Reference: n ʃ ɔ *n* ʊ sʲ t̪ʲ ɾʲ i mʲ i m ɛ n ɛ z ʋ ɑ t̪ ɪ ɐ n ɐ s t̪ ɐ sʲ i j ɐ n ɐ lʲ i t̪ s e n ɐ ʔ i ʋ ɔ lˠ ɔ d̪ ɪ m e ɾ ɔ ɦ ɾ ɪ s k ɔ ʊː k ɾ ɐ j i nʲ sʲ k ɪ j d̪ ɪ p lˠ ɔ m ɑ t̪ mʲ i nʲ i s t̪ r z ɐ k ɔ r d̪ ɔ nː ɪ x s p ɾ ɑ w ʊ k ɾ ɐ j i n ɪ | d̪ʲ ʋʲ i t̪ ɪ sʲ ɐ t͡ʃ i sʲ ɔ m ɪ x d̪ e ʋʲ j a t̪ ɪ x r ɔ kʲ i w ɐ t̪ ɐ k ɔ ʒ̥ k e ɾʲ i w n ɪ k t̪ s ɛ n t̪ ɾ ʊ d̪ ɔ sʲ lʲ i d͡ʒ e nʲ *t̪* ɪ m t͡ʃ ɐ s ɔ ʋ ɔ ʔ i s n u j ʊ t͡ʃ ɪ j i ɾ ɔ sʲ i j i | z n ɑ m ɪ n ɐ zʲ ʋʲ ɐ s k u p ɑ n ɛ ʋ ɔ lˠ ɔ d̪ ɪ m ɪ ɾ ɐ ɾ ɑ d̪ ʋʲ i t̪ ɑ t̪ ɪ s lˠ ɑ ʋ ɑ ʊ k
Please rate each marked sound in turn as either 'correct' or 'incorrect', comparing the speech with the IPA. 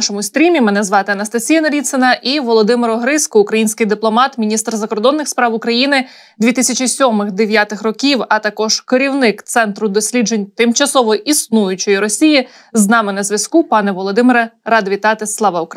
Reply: incorrect, correct

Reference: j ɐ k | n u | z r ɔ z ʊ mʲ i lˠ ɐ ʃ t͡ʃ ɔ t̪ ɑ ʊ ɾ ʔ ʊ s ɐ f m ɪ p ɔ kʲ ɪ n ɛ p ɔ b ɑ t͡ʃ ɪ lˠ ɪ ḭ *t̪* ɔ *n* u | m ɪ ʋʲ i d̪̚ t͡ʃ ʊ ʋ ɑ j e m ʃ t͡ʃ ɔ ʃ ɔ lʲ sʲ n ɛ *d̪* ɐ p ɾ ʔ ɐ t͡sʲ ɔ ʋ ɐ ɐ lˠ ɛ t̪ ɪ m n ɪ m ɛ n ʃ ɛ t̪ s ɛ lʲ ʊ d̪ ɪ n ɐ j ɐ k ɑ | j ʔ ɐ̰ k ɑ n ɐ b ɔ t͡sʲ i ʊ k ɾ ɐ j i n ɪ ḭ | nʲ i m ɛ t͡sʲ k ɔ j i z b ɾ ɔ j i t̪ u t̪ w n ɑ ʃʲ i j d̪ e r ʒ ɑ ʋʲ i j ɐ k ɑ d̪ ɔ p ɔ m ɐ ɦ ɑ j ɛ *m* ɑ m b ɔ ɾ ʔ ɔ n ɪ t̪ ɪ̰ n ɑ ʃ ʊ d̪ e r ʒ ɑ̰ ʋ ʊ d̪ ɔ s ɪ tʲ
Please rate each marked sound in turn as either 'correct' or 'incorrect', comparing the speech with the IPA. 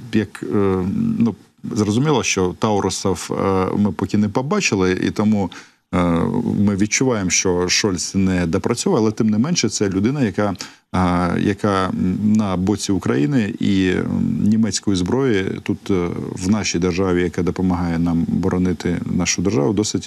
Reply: correct, incorrect, correct, incorrect

